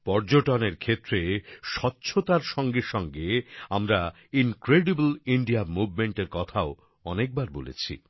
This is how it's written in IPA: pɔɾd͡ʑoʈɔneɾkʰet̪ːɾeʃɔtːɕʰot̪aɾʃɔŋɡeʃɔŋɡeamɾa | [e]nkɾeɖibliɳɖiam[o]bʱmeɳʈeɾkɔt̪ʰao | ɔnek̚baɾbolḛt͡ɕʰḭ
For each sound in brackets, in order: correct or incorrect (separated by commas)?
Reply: incorrect, incorrect